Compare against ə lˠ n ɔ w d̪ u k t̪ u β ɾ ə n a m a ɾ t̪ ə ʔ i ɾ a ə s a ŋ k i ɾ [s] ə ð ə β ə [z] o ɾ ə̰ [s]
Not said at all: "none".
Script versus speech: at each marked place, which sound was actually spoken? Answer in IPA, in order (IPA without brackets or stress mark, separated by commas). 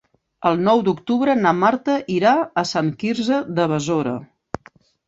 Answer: z, z, none